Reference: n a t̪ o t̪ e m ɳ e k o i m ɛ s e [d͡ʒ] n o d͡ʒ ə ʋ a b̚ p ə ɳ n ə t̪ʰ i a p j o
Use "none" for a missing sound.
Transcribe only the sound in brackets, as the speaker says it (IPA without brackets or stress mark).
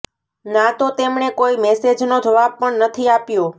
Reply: d͡ʒ